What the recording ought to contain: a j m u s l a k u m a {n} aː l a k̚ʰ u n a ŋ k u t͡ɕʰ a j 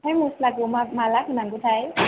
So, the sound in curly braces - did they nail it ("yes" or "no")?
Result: no